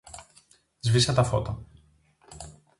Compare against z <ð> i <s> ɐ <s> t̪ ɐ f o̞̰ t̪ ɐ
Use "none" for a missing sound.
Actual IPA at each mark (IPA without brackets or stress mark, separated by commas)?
v, s, none